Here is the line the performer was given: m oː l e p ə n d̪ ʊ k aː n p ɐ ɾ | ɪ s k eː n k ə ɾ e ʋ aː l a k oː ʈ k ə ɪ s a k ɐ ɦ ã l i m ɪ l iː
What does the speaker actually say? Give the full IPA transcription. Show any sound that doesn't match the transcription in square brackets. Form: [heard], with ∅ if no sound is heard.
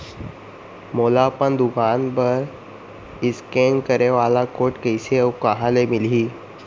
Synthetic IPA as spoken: m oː l [a] p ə n d̪ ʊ k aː n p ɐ ɾ | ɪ s k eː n k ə ɾ e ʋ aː l a k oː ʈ k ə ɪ s [e] k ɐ ɦ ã l [e] m ɪ l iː